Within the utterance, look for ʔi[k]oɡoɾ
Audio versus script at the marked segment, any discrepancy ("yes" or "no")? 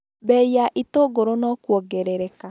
yes